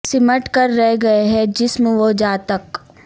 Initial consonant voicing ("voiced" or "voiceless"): voiceless